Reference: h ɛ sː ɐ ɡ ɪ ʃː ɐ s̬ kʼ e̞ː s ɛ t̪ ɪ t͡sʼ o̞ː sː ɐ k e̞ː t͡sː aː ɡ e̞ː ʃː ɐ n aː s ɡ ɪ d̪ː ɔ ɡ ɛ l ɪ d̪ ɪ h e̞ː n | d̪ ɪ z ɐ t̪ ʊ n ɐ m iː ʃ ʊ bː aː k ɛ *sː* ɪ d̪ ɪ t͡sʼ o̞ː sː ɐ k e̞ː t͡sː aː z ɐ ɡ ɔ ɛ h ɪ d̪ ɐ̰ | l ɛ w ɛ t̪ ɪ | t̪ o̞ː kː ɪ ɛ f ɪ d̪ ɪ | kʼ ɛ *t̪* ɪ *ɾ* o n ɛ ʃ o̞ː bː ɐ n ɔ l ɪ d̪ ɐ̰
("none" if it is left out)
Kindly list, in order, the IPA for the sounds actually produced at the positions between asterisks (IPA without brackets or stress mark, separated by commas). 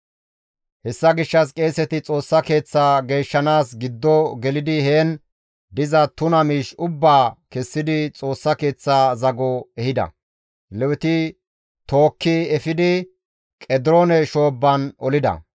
sː, d̪, ɾ